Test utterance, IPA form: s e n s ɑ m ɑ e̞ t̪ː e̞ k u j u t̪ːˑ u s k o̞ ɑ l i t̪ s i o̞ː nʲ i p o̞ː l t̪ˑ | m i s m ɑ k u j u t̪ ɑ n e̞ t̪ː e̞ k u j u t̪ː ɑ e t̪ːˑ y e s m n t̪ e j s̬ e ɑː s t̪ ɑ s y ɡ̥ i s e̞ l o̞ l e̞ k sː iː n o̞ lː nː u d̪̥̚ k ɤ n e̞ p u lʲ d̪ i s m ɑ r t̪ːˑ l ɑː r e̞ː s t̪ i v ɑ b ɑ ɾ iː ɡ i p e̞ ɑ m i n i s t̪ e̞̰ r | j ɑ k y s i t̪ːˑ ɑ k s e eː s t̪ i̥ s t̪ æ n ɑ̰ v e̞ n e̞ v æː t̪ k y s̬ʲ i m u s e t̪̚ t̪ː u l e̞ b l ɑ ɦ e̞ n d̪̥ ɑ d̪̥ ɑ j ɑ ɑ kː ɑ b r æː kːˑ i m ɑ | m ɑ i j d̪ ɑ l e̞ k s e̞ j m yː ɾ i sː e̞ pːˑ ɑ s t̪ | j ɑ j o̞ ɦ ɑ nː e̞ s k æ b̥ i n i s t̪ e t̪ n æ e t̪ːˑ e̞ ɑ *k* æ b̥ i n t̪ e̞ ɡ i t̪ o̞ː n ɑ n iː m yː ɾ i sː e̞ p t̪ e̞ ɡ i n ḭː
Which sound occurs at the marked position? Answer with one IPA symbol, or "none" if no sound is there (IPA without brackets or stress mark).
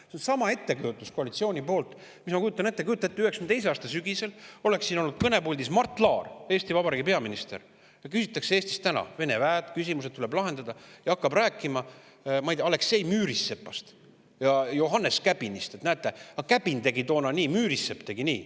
k